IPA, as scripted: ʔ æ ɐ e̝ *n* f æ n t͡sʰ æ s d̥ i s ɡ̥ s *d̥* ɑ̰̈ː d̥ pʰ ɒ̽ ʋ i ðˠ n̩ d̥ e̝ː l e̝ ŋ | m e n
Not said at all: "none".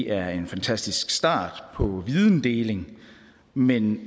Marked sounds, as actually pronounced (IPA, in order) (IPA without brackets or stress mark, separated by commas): n, d̥